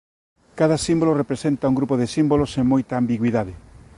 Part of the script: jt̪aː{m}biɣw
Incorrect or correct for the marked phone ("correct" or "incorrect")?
correct